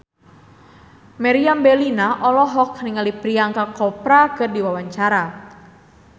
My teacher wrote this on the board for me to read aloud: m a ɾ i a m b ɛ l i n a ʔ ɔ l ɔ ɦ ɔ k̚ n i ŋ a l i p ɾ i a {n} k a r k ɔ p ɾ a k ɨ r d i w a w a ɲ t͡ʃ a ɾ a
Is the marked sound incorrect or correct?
incorrect